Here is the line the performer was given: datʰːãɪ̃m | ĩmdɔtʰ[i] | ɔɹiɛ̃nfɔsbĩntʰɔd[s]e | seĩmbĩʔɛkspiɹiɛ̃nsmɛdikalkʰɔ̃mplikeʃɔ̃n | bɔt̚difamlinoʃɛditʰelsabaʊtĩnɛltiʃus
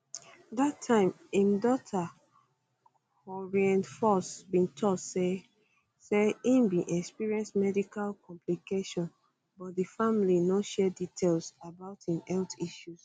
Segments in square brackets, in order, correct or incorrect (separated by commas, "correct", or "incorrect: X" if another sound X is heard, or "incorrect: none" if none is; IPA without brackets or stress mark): incorrect: a, correct